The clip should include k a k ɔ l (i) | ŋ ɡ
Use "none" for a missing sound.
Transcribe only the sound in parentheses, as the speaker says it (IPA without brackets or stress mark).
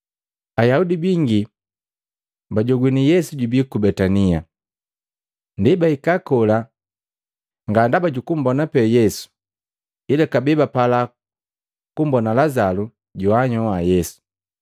a